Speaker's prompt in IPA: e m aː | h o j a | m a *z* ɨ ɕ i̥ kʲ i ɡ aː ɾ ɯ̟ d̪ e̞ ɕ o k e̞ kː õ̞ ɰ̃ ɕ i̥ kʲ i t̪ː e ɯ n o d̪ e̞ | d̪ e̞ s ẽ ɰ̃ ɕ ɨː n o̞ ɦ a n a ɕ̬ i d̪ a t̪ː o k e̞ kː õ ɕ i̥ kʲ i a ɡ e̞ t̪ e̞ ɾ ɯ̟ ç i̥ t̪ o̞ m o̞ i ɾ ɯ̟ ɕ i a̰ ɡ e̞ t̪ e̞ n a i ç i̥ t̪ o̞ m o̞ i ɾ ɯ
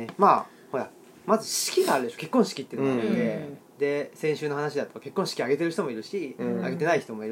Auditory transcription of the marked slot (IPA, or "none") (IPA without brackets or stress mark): z